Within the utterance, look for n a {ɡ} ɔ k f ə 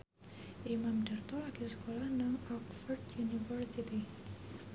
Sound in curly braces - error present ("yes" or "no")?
yes